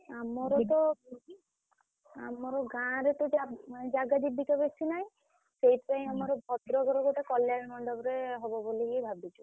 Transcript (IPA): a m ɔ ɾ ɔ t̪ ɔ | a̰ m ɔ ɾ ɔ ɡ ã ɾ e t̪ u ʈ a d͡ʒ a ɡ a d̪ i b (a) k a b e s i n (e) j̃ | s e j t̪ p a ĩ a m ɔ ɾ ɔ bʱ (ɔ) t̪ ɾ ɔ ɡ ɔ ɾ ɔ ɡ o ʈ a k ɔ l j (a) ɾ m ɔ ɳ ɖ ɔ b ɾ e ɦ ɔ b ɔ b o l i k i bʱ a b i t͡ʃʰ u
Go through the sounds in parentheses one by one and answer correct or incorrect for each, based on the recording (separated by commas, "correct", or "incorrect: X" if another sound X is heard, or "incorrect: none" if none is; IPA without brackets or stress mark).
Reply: incorrect: i, incorrect: a, correct, correct